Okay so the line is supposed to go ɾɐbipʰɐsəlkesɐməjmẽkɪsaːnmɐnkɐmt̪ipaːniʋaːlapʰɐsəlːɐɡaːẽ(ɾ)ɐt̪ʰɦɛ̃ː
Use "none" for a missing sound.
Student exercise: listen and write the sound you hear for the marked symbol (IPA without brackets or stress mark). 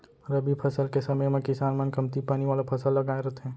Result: ɾ